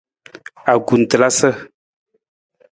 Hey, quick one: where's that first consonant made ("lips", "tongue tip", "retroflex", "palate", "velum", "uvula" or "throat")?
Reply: velum